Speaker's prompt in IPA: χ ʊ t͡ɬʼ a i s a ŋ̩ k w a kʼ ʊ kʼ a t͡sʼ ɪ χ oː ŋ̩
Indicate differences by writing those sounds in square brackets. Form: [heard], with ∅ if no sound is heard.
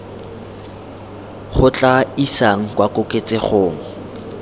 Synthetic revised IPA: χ ʊ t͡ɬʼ a i s a ŋ̩ k w a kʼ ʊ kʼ [e] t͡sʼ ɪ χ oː ŋ̩